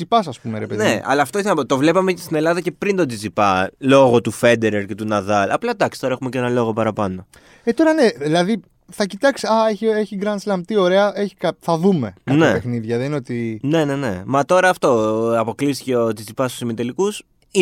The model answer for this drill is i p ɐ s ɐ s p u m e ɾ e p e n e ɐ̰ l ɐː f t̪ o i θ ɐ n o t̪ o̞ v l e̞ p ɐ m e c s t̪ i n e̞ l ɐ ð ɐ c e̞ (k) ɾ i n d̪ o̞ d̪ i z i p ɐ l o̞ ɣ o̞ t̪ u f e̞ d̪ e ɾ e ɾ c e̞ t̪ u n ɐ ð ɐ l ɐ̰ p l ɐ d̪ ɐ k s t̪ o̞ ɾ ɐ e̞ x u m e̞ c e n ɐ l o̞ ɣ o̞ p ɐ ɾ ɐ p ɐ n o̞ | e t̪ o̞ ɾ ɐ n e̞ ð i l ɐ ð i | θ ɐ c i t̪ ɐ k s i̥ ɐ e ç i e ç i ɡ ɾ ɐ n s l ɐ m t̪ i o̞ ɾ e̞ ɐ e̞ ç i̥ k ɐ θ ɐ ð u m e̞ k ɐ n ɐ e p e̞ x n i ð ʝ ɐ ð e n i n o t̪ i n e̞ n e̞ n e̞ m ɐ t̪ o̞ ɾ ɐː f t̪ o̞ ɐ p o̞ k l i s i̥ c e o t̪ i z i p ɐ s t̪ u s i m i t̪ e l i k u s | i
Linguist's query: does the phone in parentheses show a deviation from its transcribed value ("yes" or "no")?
yes